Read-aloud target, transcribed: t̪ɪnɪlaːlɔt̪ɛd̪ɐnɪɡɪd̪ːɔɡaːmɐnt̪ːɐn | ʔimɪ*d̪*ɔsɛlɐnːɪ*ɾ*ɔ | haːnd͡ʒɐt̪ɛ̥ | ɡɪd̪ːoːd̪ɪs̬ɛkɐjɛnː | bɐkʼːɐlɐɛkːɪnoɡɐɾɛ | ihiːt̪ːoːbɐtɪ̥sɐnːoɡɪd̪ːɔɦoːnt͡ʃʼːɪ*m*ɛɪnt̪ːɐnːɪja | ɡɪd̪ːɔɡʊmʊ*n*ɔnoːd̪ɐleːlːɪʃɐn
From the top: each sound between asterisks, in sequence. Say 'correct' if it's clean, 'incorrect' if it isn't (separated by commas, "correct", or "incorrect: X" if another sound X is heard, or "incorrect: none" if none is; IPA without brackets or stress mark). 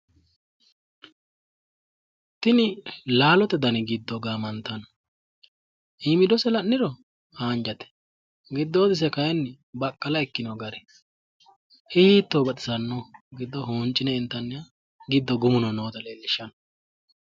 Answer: correct, correct, incorrect: n, correct